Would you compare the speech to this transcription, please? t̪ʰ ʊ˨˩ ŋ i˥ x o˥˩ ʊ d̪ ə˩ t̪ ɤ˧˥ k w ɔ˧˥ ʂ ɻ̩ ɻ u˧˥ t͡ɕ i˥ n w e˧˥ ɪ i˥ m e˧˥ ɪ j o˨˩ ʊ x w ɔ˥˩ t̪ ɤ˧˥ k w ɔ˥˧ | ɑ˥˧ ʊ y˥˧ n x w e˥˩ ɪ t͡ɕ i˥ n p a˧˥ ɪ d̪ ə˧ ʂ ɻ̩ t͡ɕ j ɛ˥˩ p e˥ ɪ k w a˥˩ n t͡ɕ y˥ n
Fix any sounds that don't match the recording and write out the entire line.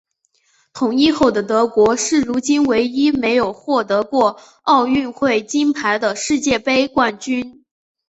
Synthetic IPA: t̪ʰ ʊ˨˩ ŋ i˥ x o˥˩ ʊ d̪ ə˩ t̪ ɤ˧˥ k w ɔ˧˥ ʂ ɻ̩ ɻ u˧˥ t͡ɕ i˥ n w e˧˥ ɪ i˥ m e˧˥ ɪ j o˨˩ ʊ x w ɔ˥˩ t̪ ɤ˧˥ k w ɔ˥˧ | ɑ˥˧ ʊ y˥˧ n x w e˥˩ ɪ t͡ɕ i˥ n pʰ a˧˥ ɪ d̪ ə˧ ʂ ɻ̩ t͡ɕ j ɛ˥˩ p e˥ ɪ k w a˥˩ n t͡ɕ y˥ n